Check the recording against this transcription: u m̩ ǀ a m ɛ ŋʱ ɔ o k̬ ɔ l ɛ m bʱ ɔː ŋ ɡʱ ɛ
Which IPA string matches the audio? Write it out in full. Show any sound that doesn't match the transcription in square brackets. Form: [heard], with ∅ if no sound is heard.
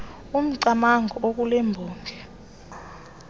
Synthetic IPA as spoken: u m̩ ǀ a m [a] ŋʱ ɔ o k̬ [u] l ɛ m bʱ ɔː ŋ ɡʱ ɛ